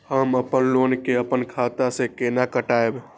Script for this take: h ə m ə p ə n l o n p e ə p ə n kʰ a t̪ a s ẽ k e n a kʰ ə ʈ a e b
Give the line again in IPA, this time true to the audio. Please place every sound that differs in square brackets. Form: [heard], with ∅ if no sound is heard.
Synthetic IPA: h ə m ə p ə n l o n [k] e ə p ə n kʰ a t̪ a s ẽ k e n a [k] ə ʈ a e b